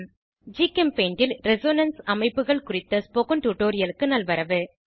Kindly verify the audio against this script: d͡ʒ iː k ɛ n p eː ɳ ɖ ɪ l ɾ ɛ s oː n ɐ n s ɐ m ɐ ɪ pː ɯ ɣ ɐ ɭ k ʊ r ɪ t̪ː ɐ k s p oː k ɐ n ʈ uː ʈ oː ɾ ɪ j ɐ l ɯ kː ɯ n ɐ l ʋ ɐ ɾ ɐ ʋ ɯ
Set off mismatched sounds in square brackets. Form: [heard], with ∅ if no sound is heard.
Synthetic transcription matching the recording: d͡ʒ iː k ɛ [m] p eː ɳ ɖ ɪ l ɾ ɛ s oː n ɐ n s ɐ m ɐ ɪ pː ɯ ɣ ɐ ɭ k ʊ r ɪ t̪ː ɐ [∅] s p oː k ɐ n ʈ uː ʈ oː ɾ ɪ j ɐ l ɯ kː ɯ n ɐ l ʋ ɐ ɾ ɐ ʋ ɯ